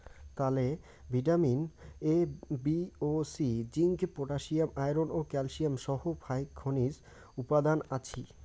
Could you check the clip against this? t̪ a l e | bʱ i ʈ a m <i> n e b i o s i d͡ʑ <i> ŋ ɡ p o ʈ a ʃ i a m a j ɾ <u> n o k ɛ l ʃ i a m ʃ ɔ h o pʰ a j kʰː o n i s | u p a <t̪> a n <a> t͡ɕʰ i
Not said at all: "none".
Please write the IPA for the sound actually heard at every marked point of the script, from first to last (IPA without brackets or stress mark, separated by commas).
i, i, o, d̪, a